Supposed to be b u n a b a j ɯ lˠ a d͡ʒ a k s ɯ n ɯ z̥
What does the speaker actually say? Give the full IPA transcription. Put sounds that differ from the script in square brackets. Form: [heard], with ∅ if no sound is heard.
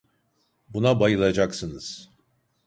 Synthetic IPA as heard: b u n a b a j ɯ lˠ a d͡ʒ a k s ɯ n ɯ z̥